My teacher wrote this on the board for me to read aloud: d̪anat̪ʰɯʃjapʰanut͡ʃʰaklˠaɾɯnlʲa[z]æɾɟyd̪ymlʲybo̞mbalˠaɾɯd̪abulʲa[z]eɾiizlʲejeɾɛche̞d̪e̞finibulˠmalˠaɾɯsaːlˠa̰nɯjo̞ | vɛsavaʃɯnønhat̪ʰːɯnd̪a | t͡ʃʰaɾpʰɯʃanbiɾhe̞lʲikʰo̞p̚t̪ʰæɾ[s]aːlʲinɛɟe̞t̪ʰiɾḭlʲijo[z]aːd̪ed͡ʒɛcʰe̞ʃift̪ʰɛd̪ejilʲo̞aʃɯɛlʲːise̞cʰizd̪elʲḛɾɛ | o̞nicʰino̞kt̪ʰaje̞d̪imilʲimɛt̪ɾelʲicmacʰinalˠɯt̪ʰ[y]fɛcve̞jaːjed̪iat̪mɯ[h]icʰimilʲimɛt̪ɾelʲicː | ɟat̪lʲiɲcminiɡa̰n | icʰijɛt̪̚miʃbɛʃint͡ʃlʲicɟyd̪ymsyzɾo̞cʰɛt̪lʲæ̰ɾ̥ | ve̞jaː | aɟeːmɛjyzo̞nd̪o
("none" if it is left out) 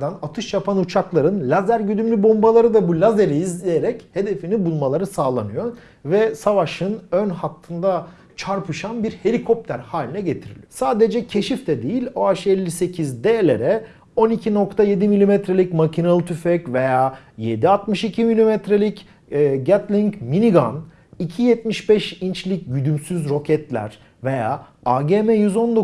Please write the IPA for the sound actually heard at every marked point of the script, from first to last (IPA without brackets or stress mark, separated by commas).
z, z, h, s, y, ʃ